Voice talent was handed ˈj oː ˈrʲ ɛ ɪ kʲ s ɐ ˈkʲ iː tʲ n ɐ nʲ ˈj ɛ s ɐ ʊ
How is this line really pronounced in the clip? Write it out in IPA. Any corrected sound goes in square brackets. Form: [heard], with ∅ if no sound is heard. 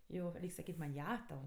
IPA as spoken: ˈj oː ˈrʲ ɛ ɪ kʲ s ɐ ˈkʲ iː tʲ [m] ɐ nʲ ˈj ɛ [t] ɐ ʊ